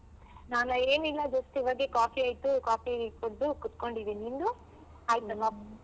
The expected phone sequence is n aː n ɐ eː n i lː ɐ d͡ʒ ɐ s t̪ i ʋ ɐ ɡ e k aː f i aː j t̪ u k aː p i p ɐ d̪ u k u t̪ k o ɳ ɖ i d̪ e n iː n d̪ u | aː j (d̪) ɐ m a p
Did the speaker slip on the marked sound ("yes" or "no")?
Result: yes